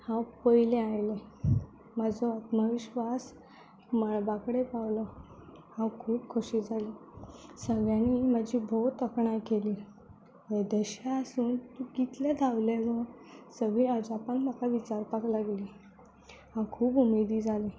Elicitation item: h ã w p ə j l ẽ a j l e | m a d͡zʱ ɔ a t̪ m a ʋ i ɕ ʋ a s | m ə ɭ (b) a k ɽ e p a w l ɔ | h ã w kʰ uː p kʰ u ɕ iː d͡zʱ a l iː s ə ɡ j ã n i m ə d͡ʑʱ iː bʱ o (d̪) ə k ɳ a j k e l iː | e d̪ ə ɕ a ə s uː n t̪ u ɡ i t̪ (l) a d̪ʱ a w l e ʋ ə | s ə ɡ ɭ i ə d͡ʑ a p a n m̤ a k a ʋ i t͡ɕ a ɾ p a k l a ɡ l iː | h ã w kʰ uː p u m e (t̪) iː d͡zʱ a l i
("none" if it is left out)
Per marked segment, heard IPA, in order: b, t̪, l, d̪

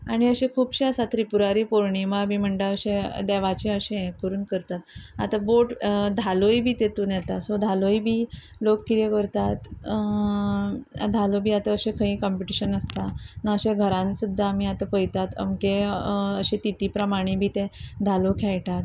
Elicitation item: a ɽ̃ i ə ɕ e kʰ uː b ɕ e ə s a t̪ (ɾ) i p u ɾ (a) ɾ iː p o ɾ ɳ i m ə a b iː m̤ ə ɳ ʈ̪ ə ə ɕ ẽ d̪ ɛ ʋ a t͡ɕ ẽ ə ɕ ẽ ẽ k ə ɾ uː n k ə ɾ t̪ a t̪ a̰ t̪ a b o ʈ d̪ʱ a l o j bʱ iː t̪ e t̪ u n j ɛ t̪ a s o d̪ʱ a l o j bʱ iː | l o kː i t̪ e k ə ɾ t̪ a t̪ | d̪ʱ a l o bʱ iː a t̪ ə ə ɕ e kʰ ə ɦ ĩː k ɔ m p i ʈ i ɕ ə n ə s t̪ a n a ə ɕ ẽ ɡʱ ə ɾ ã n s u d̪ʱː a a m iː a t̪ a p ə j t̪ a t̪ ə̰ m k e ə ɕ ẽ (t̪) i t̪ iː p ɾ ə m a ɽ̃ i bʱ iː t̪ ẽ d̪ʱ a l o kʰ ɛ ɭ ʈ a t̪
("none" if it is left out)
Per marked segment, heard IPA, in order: ɾ, a, t̪

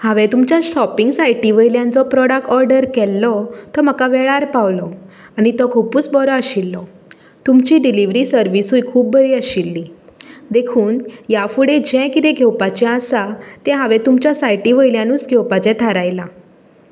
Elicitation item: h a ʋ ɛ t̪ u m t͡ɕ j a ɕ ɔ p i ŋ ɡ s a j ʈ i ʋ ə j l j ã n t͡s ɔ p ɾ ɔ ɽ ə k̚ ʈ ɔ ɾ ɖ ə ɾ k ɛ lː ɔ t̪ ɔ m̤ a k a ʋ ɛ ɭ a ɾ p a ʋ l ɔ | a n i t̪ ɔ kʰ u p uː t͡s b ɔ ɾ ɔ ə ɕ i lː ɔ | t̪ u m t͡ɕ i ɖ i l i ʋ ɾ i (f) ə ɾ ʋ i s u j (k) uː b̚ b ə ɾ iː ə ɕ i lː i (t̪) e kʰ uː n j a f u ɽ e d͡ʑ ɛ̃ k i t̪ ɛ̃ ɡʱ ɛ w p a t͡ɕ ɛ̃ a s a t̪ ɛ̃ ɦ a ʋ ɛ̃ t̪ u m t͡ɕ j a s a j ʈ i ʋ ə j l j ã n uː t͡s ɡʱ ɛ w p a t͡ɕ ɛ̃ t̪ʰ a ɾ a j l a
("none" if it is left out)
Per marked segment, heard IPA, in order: s, kʰ, d̪

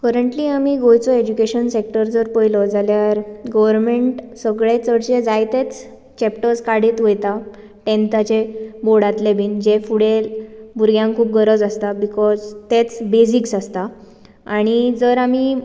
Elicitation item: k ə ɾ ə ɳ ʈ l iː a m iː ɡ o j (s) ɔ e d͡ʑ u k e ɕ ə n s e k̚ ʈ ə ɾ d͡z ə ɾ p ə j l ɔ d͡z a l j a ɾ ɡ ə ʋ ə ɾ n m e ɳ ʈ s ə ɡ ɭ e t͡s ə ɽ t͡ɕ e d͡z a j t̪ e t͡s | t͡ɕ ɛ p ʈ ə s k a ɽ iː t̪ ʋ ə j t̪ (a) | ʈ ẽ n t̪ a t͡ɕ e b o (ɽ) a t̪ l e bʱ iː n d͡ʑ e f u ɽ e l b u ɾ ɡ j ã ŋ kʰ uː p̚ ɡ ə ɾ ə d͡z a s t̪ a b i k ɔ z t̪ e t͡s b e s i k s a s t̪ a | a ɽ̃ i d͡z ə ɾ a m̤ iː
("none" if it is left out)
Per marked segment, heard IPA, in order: t͡s, a, ɽ

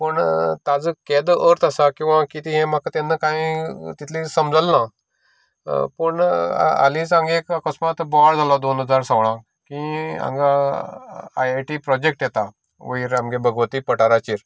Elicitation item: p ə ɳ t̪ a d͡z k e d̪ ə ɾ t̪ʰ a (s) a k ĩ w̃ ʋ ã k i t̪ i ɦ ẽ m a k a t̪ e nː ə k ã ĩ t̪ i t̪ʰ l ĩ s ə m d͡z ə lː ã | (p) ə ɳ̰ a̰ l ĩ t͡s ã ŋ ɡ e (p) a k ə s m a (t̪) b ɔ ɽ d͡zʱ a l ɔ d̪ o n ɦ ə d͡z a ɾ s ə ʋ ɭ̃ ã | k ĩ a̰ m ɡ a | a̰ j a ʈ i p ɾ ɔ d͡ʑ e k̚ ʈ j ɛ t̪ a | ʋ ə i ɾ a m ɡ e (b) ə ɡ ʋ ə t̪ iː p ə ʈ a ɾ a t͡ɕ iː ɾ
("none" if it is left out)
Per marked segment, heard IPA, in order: s, p, k, t̪, b

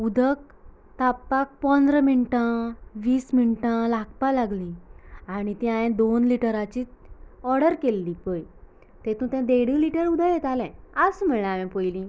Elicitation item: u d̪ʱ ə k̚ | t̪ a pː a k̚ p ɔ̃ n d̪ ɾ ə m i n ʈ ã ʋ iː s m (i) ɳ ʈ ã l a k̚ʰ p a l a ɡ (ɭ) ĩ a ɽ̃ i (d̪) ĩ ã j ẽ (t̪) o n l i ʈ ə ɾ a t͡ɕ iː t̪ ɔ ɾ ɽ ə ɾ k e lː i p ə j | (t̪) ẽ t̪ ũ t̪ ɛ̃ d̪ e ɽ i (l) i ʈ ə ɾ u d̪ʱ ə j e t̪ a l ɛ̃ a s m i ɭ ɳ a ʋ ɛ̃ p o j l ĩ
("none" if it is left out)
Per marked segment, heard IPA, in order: i, l, t̪, d̪, t̪, l

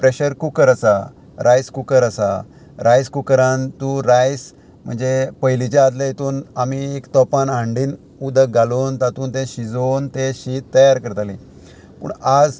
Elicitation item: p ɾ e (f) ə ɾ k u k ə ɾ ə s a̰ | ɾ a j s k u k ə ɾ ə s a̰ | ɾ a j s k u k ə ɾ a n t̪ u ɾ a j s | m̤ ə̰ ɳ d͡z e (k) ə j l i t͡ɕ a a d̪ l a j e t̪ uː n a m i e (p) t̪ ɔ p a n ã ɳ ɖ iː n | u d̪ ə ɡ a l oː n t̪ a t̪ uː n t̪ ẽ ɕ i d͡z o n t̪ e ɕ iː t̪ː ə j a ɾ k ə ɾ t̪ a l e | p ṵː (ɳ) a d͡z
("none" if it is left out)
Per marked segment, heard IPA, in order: ɕ, p, k, ɳ

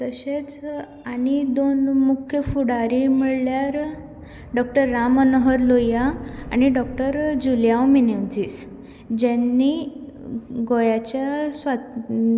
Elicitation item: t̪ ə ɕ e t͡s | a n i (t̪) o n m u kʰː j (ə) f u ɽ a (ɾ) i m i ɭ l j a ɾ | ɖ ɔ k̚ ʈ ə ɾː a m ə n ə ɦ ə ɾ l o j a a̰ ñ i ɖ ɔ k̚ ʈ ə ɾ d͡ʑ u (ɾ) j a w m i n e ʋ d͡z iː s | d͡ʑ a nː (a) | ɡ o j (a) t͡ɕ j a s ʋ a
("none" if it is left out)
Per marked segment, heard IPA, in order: d̪, ə, ɾ, l, i, a

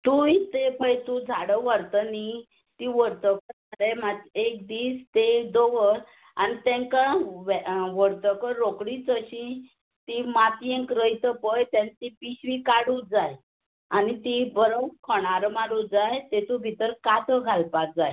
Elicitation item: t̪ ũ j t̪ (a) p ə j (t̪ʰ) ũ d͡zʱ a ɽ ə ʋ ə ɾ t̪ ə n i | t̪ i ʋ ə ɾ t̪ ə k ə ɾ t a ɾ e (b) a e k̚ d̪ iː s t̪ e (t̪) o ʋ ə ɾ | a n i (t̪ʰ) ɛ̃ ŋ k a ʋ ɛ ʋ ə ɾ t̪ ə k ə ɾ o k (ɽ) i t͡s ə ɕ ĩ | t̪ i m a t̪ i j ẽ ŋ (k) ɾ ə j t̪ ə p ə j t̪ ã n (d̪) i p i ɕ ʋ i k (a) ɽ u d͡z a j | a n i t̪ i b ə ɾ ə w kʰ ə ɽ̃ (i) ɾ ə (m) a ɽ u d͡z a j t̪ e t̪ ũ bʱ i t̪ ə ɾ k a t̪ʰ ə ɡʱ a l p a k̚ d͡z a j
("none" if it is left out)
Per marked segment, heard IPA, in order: e, t̪, m, d̪, t̪, ɽ, k, t̪, a, a, m

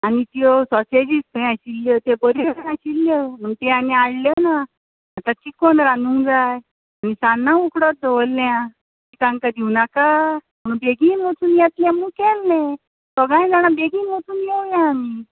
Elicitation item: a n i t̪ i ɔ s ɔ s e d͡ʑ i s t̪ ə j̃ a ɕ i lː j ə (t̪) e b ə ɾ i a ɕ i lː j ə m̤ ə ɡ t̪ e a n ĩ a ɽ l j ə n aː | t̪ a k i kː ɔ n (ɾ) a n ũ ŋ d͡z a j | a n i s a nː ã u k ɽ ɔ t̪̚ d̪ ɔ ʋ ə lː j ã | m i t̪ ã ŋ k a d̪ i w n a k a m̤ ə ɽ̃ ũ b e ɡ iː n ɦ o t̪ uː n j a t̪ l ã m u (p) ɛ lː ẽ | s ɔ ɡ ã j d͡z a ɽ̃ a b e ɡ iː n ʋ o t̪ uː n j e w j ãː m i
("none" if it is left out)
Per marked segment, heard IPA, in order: t̪, ɾ, k

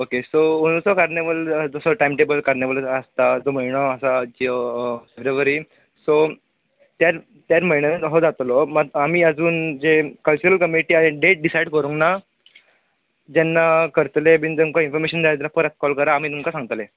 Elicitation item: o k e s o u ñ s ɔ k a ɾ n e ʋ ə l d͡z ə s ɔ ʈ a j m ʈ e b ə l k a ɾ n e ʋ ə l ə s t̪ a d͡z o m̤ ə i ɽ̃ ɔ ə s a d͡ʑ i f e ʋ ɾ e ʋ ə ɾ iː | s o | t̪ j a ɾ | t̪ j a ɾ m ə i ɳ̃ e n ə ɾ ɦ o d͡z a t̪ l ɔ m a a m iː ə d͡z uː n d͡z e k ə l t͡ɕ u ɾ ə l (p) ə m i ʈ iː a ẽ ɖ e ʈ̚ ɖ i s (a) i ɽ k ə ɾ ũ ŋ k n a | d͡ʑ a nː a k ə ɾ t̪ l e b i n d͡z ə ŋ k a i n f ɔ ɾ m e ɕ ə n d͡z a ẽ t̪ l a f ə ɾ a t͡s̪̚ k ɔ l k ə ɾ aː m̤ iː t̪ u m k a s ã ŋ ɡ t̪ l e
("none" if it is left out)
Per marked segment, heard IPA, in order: k, a

